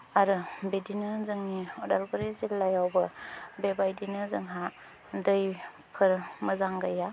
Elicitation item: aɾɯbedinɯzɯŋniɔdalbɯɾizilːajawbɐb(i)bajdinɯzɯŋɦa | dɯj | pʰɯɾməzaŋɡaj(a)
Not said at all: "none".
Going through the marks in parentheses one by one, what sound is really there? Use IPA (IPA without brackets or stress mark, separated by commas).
e, a